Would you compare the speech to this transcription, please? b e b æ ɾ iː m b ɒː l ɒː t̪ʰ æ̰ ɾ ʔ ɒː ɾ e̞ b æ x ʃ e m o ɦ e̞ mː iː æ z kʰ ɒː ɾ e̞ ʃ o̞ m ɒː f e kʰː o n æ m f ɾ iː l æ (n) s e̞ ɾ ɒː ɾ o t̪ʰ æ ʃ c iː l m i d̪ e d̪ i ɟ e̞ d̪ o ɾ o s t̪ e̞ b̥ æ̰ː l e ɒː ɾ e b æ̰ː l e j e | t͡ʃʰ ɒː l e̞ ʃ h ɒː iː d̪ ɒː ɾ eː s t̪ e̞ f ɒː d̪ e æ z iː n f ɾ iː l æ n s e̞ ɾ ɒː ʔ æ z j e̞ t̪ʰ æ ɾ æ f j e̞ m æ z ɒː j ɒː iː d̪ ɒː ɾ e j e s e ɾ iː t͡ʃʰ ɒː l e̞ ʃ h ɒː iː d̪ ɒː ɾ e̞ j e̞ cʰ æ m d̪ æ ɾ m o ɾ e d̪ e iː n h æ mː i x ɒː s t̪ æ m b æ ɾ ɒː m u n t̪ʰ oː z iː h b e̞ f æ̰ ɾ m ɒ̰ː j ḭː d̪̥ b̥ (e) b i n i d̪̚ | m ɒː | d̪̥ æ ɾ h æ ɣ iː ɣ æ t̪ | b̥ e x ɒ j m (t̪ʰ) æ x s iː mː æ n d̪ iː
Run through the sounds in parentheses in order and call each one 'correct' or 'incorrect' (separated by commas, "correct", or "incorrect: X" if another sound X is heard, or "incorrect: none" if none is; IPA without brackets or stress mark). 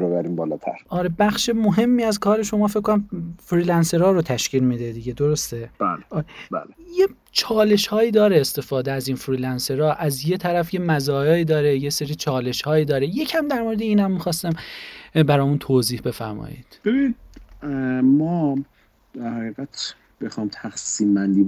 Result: correct, correct, correct